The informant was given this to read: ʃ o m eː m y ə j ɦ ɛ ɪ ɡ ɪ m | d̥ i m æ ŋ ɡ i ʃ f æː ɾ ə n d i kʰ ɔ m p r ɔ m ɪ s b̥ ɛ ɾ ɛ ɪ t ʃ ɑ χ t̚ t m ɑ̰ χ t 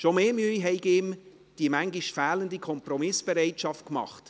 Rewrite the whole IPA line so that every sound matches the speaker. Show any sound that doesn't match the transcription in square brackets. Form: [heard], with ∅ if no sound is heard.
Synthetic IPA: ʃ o m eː m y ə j ɦ ɛ ɪ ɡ ɪ m | d̥ i m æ ŋ ɡ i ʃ f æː [l] ə n d i kʰ ɔ m p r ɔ m ɪ s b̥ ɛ ɾ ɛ ɪ t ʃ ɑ [f] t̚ [k] m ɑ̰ χ t